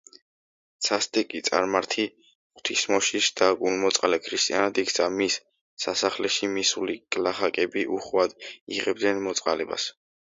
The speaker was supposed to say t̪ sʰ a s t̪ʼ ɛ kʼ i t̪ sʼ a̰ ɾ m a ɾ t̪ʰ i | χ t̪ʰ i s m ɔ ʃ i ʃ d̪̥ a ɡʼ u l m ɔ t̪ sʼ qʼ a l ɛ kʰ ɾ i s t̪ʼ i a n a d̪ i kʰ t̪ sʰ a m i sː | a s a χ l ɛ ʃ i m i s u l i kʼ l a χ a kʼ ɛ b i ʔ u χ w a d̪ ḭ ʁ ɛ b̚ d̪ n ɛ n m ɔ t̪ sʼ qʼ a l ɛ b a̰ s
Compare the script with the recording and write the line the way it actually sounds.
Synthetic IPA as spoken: t̪ sʰ a s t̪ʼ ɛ kʼ i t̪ sʼ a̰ ɾ m a ɾ t̪ʰ i | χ t̪ʰ i s m ɔ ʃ i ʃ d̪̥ a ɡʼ u l m ɔ t̪ sʼ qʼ a l ɛ kʰ ɾ i s t̪ʼ i a n a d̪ i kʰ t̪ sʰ a m i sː | a s a χ l ɛ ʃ i m i s u l i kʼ l a χ a kʼ ɛ b i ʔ u χ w a d̪ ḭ ʁ ɛ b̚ d̪ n ɛ n m ɔ t̪ sʼ qʼ a l ɛ b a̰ s